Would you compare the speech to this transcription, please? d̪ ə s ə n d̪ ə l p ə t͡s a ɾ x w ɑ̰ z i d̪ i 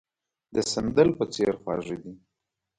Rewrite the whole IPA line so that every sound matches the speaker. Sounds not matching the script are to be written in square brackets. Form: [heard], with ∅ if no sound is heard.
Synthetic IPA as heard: d̪ ə s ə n d̪ ə l p ə t͡s [e] ɾ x w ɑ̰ [ʐ] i d̪ i